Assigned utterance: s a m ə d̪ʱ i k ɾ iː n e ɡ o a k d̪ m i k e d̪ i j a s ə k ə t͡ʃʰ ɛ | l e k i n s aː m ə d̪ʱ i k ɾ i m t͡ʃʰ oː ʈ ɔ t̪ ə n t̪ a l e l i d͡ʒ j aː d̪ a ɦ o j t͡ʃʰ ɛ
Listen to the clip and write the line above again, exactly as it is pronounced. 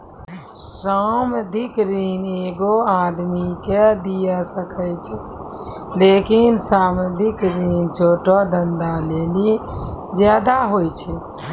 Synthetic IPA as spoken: s a m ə d̪ʱ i k ɾ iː n e ɡ o a d̪ m i k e d̪ i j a s ə k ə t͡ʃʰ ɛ | l e k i n s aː m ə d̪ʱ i k ɾ i n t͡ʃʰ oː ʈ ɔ d̪ ə n d̪ a l e l i d͡ʒ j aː d̪ a ɦ o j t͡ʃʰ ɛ